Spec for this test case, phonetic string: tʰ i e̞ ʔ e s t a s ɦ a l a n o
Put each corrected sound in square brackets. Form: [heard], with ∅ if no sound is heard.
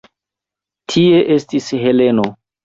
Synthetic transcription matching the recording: tʰ i e̞ ʔ e s t [i] s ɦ [e] l [e] n o